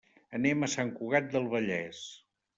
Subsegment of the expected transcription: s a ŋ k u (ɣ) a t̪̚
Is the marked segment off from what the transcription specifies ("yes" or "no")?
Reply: no